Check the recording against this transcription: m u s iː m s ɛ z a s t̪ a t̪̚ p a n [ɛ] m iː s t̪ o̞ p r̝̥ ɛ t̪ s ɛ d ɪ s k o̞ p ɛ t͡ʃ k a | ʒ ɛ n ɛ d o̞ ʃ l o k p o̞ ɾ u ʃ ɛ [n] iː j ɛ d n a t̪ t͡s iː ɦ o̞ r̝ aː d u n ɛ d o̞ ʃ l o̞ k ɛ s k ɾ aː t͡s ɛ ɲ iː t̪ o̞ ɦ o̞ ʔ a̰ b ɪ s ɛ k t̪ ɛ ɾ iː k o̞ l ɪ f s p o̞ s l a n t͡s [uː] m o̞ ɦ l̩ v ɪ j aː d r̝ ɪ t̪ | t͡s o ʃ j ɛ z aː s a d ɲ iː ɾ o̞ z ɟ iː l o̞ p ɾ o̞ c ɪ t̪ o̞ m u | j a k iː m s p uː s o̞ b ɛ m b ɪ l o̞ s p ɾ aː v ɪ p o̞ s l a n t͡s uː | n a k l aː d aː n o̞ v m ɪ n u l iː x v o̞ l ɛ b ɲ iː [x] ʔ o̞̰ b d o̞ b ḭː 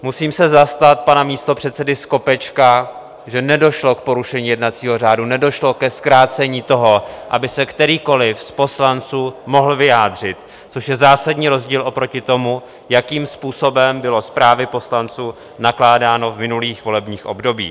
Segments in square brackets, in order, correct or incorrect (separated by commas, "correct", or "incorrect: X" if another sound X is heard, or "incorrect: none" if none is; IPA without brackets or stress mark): incorrect: a, incorrect: ɲ, correct, correct